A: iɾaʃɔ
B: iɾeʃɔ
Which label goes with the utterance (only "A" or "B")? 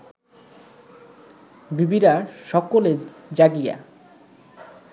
A